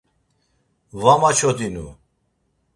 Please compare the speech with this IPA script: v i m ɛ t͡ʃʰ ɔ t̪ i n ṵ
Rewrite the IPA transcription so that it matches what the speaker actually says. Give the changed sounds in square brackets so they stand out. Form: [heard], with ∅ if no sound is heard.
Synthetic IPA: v [a] m [a] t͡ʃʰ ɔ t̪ i n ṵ